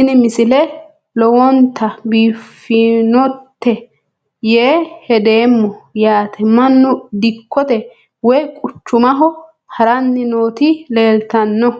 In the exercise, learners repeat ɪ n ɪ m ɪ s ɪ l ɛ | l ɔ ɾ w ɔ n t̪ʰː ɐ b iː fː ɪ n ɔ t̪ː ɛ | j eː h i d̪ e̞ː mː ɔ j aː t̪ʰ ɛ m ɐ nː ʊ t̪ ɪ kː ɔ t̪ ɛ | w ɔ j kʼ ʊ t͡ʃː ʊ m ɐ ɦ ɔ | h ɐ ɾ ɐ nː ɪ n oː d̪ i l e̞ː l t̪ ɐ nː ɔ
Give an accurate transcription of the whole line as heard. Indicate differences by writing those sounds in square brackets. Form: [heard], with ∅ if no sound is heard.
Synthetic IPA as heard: ɪ n ɪ m ɪ s ɪ l ɛ | l ɔ [∅] w ɔ n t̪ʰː ɐ b iː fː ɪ n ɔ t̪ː ɛ | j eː h [ɛ] d̪ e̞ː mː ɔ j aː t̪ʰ ɛ m ɐ nː ʊ [d̪] ɪ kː ɔ t̪ ɛ | w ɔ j kʼ ʊ t͡ʃː ʊ m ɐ ɦ ɔ | h ɐ ɾ ɐ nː ɪ n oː [t̪] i l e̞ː l t̪ ɐ nː ɔ